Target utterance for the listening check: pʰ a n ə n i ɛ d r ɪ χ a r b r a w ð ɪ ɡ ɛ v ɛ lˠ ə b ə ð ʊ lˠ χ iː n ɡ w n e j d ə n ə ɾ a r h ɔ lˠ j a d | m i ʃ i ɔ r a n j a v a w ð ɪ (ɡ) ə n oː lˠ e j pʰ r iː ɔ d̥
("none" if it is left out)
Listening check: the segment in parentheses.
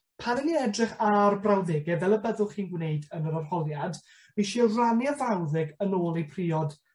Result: ɡ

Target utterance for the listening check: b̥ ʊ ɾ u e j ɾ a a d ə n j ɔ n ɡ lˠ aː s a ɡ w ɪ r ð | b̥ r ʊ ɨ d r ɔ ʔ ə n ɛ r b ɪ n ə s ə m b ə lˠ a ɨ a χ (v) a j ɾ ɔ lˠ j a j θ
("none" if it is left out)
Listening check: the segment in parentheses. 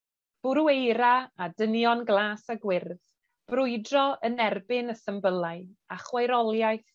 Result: w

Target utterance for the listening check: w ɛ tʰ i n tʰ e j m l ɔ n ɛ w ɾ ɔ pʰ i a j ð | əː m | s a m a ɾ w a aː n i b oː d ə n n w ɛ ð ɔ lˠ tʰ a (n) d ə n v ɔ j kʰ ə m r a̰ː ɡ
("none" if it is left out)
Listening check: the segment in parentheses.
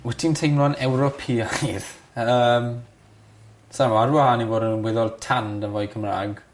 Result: n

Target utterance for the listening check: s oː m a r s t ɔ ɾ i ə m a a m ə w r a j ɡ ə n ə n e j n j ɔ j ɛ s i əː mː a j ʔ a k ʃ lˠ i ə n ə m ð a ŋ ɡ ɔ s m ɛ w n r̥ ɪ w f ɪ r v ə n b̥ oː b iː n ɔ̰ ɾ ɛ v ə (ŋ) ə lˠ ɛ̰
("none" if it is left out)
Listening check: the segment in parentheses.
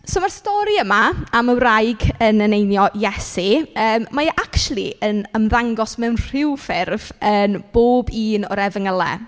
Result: ŋ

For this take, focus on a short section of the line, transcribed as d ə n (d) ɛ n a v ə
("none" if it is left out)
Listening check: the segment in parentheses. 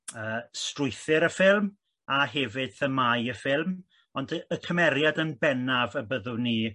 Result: b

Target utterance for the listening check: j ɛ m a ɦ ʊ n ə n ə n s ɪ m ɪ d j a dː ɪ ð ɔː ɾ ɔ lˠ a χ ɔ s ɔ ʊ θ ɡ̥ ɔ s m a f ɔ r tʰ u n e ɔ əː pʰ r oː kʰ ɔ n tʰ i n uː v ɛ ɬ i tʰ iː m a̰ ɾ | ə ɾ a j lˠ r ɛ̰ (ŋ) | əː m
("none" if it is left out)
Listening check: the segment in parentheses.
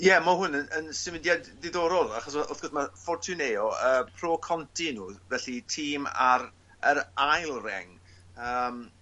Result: ŋ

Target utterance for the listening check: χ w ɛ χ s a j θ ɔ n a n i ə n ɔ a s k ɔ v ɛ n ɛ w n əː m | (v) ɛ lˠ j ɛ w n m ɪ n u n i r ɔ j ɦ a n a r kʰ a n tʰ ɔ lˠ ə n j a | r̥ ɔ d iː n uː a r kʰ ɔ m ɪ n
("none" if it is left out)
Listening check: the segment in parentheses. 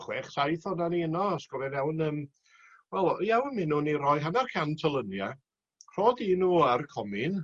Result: w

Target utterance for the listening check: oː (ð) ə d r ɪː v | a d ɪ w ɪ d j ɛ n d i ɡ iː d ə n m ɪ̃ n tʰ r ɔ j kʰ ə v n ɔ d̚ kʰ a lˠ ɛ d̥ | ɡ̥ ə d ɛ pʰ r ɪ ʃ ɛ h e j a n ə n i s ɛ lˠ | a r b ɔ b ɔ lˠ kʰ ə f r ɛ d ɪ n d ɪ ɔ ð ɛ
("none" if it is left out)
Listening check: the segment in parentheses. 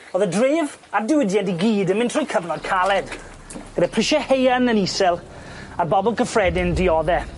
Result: ð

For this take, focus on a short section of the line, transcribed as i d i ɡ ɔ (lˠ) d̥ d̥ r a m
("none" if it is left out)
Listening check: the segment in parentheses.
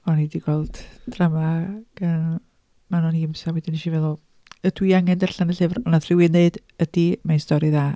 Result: lˠ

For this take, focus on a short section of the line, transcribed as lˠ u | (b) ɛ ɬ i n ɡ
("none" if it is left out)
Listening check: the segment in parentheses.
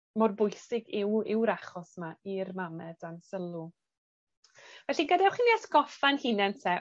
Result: v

